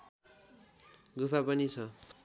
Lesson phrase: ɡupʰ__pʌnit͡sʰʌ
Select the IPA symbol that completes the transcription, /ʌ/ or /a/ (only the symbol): a